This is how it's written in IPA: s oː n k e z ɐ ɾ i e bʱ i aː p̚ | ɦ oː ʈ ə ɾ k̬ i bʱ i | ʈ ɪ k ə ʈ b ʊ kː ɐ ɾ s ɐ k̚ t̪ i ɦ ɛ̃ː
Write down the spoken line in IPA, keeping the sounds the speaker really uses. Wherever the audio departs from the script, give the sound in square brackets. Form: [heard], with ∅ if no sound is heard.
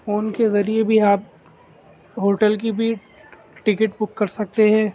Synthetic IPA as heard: [f] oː n k e z ɐ ɾ i e bʱ i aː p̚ | ɦ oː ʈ ə [l] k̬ i bʱ i | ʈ ɪ k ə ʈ b ʊ kː ɐ ɾ s ɐ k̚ t̪ [e] ɦ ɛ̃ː

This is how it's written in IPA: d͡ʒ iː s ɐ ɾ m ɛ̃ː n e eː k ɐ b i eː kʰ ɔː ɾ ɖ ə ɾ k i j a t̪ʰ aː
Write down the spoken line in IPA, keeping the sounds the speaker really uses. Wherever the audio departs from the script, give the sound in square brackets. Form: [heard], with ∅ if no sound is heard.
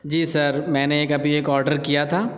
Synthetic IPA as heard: d͡ʒ iː s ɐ ɾ m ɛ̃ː n e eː k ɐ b i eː [k] ɔː ɾ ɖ ə ɾ k i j a t̪ʰ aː

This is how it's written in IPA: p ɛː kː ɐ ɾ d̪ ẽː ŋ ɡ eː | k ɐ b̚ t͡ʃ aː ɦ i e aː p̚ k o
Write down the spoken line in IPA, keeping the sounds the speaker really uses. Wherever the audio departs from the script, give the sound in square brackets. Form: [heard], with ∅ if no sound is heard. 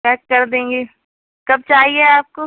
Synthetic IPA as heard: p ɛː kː ɐ ɾ d̪ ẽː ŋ ɡ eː | k ɐ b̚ t͡ʃ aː ɦ i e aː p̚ k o

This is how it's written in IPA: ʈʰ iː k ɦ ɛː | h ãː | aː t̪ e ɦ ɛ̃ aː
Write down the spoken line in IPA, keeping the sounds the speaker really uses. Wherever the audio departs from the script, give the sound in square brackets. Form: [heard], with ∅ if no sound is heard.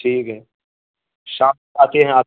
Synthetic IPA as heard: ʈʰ iː k ɦ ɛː | [ʃ] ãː | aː t̪ e ɦ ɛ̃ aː

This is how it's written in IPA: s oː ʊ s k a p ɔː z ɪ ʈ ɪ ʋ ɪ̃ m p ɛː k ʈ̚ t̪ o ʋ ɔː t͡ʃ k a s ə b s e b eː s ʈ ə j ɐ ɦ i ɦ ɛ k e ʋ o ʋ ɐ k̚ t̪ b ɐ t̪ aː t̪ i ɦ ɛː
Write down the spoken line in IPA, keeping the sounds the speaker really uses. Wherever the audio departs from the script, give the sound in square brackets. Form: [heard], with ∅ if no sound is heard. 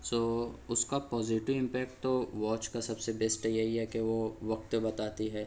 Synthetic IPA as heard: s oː ʊ s k a p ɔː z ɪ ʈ ɪ ʋ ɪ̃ m p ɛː k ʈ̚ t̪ o ʋ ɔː t͡ʃ k a s [ɐ] b s e b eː s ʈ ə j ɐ ɦ i ɦ ɛ k e ʋ o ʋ ɐ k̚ t̪ b ɐ t̪ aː t̪ i ɦ ɛː

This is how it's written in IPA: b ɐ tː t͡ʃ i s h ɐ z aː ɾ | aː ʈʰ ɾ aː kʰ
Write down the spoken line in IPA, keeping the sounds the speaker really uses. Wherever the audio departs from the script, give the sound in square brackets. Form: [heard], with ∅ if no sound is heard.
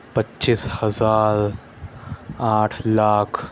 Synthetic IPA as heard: [p] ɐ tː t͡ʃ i s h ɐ z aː ɾ | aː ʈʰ [l] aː kʰ

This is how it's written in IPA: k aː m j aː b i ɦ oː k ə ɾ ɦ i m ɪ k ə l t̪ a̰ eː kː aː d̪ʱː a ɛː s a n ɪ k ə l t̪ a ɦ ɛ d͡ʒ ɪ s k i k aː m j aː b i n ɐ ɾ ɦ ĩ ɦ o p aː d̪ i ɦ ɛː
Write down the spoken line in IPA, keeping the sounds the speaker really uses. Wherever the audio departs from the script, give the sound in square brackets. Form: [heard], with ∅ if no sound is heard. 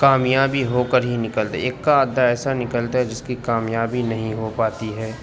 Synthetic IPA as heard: k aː m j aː b i ɦ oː k ə ɾ ɦ i [n] ɪ k ə l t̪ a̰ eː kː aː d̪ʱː a ɛː s a n ɪ k ə l t̪ a ɦ ɛ d͡ʒ ɪ s k i k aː m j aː b i n ɐ [∅] ɦ ĩ ɦ o p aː [t̪] i ɦ ɛː

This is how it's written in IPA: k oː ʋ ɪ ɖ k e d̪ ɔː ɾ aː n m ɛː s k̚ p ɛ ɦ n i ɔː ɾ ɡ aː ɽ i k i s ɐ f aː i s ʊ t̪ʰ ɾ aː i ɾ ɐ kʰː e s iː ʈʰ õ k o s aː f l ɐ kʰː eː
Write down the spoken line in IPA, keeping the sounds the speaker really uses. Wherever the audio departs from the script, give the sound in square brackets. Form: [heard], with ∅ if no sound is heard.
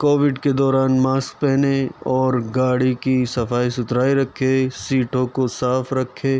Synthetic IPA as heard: k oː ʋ ɪ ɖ k e d̪ ɔː ɾ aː n m [aː] s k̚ p ɛ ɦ n [e] ɔː ɾ ɡ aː ɽ i k i s ɐ f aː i s ʊ [t̪] ɾ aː i ɾ ɐ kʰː e s iː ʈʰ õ k o s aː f [ɾ] ɐ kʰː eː

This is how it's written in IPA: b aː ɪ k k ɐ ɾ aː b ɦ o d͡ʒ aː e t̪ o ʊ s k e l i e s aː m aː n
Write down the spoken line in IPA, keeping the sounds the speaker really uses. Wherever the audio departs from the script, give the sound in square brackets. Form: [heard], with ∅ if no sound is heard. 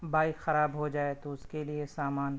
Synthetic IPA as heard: b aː ɪ k [x] ɐ ɾ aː b ɦ o d͡ʒ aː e t̪ o ʊ s k e l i e s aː m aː n

